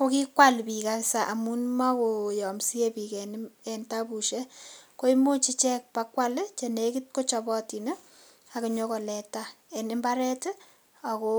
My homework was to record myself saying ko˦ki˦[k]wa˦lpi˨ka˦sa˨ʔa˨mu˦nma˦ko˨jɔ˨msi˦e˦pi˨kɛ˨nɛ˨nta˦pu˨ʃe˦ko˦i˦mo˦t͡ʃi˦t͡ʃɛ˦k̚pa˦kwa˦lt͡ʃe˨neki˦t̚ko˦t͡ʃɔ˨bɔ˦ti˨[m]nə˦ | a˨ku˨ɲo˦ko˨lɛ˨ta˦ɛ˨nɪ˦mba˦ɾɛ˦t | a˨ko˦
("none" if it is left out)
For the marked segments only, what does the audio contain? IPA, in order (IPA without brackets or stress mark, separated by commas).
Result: k, none